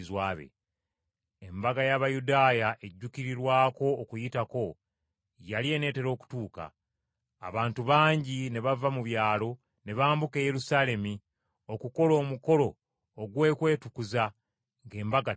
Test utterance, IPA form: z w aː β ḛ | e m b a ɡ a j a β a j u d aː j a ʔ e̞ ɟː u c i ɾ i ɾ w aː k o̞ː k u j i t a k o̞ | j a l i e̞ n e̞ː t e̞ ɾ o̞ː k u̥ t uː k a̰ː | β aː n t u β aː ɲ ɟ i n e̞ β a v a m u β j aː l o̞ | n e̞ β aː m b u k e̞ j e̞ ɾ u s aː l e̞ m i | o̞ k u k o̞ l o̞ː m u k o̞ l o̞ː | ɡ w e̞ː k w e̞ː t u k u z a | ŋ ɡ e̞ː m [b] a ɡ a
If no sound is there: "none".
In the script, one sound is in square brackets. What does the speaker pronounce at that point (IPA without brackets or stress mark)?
b